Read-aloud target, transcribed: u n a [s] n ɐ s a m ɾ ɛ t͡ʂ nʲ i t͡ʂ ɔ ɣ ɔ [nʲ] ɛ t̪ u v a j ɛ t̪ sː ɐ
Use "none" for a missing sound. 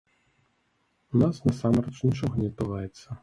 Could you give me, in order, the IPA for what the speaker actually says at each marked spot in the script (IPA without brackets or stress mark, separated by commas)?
s, nʲ